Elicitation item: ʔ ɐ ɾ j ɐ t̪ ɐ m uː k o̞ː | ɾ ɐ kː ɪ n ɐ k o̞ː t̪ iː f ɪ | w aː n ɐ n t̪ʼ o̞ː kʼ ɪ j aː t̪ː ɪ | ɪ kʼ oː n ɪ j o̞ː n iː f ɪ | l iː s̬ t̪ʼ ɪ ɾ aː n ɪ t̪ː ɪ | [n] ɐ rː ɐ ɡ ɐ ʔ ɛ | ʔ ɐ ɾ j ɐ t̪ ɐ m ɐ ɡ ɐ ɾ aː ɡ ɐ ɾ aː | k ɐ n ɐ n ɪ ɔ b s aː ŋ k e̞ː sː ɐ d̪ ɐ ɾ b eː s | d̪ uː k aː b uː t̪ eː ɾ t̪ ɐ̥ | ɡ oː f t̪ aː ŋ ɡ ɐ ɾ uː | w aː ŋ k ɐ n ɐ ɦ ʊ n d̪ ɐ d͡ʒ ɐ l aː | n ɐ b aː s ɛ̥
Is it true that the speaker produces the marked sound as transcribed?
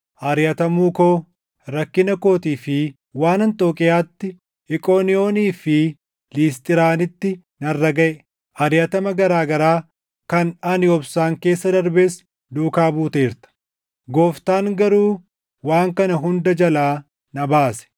yes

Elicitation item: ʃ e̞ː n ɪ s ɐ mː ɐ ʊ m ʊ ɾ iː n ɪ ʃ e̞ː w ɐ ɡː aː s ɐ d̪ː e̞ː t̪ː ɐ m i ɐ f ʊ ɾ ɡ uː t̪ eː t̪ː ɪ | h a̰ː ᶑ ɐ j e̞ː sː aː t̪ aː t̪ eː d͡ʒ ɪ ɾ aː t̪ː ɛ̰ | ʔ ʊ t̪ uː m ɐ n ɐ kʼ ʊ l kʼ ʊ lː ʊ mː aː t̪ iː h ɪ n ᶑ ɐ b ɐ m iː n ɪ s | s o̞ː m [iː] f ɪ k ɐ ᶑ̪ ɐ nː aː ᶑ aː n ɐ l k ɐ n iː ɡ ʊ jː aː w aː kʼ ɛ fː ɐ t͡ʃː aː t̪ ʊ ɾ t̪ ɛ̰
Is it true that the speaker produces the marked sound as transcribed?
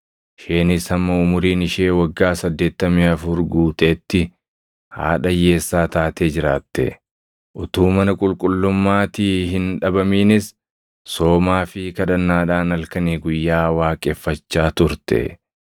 no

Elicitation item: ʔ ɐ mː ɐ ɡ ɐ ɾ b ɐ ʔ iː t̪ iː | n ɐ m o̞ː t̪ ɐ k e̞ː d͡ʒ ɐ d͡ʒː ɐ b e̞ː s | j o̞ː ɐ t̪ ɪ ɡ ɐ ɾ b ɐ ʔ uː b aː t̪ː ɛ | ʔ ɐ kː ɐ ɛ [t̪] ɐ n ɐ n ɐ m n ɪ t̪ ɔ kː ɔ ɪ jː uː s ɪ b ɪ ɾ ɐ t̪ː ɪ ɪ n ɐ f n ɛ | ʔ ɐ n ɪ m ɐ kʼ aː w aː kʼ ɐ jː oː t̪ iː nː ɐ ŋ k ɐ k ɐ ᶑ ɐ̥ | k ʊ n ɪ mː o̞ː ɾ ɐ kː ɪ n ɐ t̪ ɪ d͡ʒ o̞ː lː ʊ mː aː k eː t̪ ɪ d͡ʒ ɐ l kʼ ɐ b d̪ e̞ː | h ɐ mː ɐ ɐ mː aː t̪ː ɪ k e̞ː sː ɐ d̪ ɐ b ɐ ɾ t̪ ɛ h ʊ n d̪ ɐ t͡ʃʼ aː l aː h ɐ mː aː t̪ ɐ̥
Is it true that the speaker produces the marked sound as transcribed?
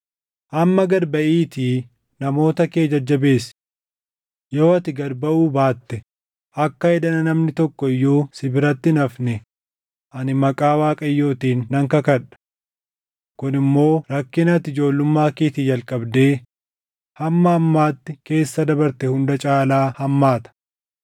no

